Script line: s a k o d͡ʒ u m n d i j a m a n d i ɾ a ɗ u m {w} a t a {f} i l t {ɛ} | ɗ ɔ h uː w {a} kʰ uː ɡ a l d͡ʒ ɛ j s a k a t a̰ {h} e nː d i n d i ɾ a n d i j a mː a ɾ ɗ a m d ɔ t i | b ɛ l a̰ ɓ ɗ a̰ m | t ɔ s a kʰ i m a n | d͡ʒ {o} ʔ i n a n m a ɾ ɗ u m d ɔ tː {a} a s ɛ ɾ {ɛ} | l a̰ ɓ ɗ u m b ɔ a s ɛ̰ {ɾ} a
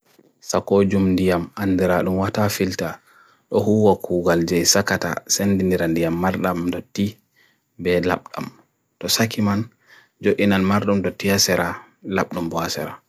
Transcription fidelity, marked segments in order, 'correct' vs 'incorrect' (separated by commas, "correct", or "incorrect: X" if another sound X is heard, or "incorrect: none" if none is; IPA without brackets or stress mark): correct, correct, incorrect: a, correct, incorrect: s, correct, incorrect: i, incorrect: a, correct